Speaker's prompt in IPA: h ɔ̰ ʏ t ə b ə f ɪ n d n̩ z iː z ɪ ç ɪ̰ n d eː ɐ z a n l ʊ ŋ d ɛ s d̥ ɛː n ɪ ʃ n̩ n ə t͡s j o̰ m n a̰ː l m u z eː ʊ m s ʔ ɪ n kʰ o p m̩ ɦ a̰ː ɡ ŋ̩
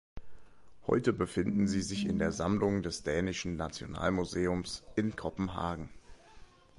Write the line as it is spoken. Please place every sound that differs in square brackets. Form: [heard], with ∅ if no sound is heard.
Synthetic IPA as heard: h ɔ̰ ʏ t ə b ə f ɪ n d n̩ z iː z ɪ ç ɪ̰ n d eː ɐ z a [m] l ʊ ŋ d ɛ s d̥ ɛː n ɪ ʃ n̩ n [a] t͡s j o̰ [∅] n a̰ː l m u z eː ʊ m s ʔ ɪ n kʰ [ɔ] p m̩ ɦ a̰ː ɡ ŋ̩